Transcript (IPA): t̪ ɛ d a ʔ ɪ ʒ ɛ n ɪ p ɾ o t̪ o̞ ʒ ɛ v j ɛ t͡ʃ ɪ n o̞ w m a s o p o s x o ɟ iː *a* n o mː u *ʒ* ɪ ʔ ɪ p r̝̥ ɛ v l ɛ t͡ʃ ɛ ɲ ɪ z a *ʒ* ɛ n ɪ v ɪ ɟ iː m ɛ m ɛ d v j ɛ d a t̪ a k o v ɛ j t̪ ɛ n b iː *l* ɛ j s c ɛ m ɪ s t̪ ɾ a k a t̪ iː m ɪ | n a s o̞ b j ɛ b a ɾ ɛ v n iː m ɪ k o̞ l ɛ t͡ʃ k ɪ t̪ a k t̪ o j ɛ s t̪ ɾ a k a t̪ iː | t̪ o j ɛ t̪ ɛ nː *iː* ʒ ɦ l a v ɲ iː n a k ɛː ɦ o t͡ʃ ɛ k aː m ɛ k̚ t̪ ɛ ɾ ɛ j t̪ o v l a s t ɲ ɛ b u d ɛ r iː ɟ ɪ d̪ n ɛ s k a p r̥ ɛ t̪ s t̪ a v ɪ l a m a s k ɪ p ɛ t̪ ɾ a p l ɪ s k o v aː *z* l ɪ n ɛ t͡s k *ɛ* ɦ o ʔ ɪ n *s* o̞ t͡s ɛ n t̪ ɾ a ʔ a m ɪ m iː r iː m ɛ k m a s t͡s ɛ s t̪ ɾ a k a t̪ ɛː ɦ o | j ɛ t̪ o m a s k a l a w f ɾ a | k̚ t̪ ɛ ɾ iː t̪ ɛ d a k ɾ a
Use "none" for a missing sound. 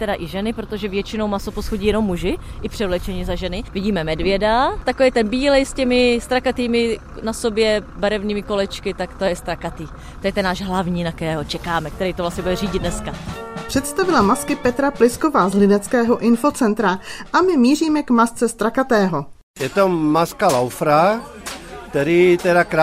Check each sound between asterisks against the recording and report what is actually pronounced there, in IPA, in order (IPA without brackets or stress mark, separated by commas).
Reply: ɛ, ʒ, ʒ, l, aː, z, ɛː, f